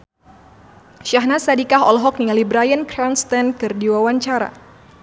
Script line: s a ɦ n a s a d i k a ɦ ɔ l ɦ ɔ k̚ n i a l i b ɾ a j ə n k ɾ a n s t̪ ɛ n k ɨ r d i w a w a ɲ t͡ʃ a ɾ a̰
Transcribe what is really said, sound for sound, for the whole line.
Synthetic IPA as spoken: ʃ a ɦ n a s a d i k a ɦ ɔ l ɦ ɔ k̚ n i a l i b ɾ a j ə n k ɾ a n s t̪ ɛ n k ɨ r d i w a w a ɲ t͡ʃ a ɾ a̰